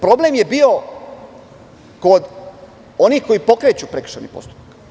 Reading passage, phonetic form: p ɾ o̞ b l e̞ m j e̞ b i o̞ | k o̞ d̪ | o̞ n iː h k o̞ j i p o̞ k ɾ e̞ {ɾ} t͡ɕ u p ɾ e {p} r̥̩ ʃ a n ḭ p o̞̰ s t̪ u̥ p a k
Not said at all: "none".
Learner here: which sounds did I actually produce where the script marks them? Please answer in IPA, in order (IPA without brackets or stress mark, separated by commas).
none, k